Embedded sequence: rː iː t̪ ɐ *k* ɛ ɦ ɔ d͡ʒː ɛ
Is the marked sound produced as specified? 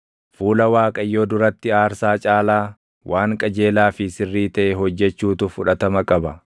no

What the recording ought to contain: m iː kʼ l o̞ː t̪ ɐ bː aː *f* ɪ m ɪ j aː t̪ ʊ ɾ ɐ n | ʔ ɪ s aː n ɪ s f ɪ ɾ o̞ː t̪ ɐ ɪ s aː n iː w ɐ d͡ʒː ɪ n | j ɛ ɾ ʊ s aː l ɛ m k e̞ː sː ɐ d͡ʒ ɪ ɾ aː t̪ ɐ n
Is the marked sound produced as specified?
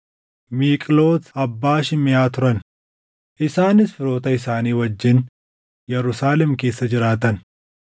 no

